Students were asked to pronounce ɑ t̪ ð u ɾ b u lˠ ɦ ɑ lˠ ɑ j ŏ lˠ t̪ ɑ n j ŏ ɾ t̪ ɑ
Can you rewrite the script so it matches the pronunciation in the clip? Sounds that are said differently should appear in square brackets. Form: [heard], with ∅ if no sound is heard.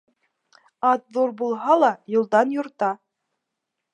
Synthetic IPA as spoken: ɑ t̪ ð u ɾ b u lˠ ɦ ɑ lˠ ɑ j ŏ lˠ [d̪] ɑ n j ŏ ɾ t̪ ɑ